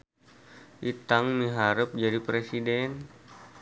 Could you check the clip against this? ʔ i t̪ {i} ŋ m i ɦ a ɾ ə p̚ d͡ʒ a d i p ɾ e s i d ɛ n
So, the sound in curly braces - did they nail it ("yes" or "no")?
no